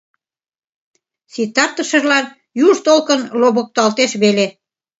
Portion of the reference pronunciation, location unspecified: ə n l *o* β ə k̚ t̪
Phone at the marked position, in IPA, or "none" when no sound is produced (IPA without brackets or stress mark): o